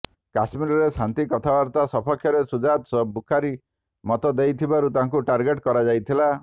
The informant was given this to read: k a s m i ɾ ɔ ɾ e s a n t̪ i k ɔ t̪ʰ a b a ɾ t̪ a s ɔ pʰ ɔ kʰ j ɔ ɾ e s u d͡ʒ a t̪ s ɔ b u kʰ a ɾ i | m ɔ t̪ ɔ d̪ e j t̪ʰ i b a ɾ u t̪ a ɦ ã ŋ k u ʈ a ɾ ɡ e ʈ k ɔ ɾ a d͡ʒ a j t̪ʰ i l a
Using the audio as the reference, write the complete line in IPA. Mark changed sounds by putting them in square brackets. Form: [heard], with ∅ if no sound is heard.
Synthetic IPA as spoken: k a s m i ɾ ɔ ɾ e s a n t̪ i k ɔ t̪ʰ a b a ɾ t̪ a s ɔ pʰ ɔ kʰ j ɔ ɾ e s u d͡ʒ a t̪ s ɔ b u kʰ a ɾ i | m ɔ t̪ ɔ d̪ e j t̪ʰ i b a ɾ u t̪ a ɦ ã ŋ k u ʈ a ɾ ɡ e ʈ k ɔ ɾ a d͡ʒ a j t̪ʰ i l a

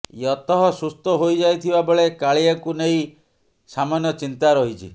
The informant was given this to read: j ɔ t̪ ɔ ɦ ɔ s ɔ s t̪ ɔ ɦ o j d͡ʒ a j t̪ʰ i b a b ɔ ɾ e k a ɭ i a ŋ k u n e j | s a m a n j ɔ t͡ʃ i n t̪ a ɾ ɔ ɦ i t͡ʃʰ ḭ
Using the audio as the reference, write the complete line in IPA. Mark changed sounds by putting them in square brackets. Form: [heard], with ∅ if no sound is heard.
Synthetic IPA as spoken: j ɔ t̪ ɔ ɦ ɔ s [u] s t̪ ɔ ɦ o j d͡ʒ a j t̪ʰ i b a b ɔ [ɭ] e k a ɭ i a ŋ k u n e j | s a m a n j ɔ t͡ʃ i n t̪ a ɾ ɔ ɦ i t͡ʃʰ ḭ

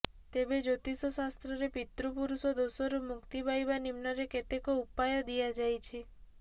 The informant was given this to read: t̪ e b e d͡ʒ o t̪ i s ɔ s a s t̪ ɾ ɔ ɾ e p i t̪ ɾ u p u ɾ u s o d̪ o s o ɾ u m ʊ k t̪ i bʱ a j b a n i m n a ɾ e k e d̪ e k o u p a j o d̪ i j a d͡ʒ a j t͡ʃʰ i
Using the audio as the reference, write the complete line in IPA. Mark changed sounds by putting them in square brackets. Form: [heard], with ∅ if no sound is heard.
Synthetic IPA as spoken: t̪ e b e d͡ʒ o t̪ i s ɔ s a s t̪ ɾ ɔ ɾ e p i t̪ ɾ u p u ɾ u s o d̪ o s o ɾ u m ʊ k t̪ i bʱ a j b a n i m n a ɾ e k e [t̪] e k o u p a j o d̪ i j a d͡ʒ a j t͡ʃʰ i

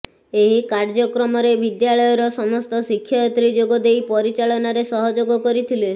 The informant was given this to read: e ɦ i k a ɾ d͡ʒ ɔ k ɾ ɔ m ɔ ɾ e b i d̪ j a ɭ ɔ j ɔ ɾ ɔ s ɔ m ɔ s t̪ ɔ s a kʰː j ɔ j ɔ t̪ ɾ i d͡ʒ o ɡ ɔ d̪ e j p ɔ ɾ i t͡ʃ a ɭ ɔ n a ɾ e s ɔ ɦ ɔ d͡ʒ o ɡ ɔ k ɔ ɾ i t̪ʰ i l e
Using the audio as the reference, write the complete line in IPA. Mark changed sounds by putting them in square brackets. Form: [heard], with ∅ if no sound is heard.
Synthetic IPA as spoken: e ɦ i k a ɾ d͡ʒ ɔ k ɾ ɔ m ɔ ɾ e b i d̪ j a ɭ ɔ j ɔ ɾ ɔ s ɔ m ɔ s t̪ ɔ s [i] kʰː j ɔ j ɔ t̪ ɾ i d͡ʒ o ɡ ɔ d̪ e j p ɔ ɾ i t͡ʃ a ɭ ɔ n a ɾ e s ɔ ɦ ɔ d͡ʒ o ɡ ɔ k ɔ ɾ i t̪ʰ i l e

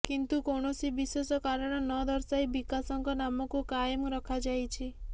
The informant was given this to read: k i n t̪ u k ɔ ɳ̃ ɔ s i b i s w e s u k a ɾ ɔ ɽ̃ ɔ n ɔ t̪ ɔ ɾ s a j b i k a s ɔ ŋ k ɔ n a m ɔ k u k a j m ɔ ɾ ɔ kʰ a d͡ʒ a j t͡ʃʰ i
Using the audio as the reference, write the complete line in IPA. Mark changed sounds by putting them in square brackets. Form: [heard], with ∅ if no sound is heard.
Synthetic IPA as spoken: k i n t̪ u k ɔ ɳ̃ ɔ s i b i s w e s [ɔ] k a ɾ ɔ ɽ̃ ɔ n ɔ [d̪] ɔ ɾ s a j b i k a s ɔ ŋ k ɔ n a m ɔ k u k a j m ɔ ɾ ɔ kʰ a d͡ʒ a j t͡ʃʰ i

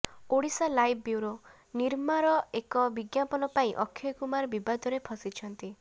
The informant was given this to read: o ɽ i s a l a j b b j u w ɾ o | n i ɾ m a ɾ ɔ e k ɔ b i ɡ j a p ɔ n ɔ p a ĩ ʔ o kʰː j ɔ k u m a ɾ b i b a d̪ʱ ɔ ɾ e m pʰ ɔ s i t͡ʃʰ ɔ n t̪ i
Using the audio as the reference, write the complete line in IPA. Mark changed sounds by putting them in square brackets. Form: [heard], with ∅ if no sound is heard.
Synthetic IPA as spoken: o ɽ i s a l a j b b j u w ɾ o | n i ɾ m a ɾ ɔ e k ɔ b i ɡ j a p ɔ n ɔ p a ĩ ʔ [ɔ] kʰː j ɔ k u m a ɾ b i b a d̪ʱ ɔ ɾ e [∅] pʰ ɔ s i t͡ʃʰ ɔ n t̪ i

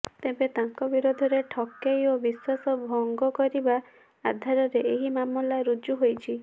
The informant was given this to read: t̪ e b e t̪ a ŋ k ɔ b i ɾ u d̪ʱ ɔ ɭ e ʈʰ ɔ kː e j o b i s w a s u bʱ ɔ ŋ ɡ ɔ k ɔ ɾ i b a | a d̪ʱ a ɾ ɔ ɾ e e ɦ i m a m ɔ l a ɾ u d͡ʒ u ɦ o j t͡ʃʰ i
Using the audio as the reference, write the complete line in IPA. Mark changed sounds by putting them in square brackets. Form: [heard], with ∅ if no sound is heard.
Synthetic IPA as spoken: t̪ e b e t̪ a ŋ k ɔ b i ɾ [o] d̪ʱ ɔ [ɾ] e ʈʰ ɔ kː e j o b i s w a s [ɔ] bʱ ɔ ŋ ɡ ɔ k ɔ ɾ i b a | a d̪ʱ a ɾ ɔ ɾ e e ɦ i m a m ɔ l a ɾ u d͡ʒ u ɦ o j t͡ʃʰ i

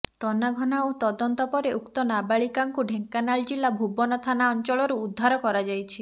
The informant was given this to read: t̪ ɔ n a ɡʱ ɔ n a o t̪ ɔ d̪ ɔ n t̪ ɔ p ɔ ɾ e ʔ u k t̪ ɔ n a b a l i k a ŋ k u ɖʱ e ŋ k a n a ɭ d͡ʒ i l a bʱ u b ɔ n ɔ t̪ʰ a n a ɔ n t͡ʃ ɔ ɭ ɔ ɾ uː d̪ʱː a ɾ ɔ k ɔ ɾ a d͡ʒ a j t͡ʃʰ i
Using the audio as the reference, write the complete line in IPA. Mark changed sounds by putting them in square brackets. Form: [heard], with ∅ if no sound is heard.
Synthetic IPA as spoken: t̪ ɔ n a ɡʱ ɔ n a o t̪ ɔ d̪ ɔ n t̪ ɔ p ɔ ɾ e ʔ u k t̪ ɔ n a b a [ɭ] i k a ŋ k u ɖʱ e ŋ k a n a ɭ d͡ʒ i l a bʱ u b ɔ n ɔ t̪ʰ a n a ɔ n t͡ʃ ɔ ɭ ɔ ɾ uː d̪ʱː a ɾ ɔ k ɔ ɾ a d͡ʒ a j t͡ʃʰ i

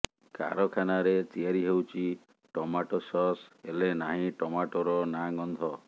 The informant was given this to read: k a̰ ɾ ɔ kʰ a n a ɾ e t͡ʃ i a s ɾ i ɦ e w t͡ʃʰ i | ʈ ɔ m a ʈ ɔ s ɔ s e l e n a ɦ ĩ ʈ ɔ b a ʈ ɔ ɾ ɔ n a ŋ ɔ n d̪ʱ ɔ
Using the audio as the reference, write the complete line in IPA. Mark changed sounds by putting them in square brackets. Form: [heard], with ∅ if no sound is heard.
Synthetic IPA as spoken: k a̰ ɾ ɔ kʰ a n a ɾ e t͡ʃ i a [∅] ɾ i ɦ e w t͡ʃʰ i | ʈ ɔ m a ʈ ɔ s ɔ s e l e n a ɦ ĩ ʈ ɔ [m] a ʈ ɔ ɾ ɔ n a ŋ ɔ n d̪ʱ ɔ

